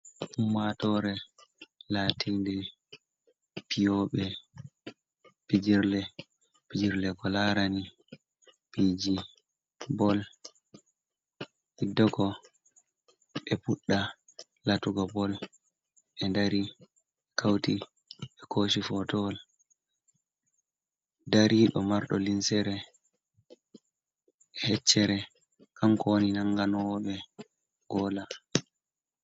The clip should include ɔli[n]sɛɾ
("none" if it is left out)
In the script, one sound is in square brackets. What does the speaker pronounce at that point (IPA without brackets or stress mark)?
n